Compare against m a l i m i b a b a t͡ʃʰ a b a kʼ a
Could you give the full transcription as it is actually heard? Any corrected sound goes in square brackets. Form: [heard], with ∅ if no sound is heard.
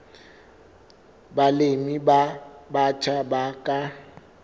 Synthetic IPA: [b] a l [e] m i b a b a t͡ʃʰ a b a kʼ a

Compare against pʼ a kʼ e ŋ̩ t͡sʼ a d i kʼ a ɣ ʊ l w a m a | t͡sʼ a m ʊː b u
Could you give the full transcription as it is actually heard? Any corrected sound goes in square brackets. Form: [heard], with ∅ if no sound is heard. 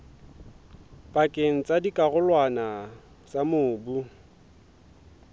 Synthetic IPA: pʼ a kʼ e ŋ̩ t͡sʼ a d i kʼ a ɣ ʊ l w a [n] a | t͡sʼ a m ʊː b u

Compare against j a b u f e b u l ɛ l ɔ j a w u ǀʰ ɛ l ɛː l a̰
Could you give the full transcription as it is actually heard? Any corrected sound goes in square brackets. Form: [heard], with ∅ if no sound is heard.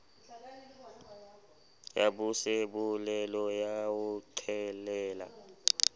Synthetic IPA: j a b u [s] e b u l ɛ l ɔ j a w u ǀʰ ɛ l ɛː l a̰

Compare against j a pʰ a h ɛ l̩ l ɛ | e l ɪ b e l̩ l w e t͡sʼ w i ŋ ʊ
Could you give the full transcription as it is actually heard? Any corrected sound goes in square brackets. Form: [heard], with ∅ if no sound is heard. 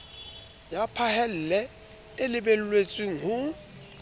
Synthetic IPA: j a pʰ a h ɛ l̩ l ɛ | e l ɪ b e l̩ l w e t͡sʼ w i ŋ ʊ

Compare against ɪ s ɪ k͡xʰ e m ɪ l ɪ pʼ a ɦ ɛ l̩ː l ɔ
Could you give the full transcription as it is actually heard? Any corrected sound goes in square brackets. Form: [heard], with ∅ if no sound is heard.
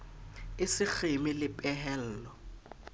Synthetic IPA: ɪ s ɪ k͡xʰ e m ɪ l ɪ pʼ [ɛ] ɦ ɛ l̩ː l ɔ

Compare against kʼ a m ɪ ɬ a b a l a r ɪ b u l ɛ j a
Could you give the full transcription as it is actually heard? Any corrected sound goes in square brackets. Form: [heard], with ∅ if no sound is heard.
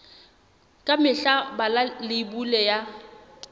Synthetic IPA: kʼ a m ɪ ɬ a b a l a [l] ɪ b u l ɛ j a

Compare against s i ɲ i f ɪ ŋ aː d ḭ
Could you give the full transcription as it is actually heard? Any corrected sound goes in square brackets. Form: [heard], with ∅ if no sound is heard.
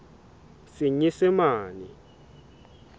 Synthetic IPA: s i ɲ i [s] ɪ [m] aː [n] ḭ

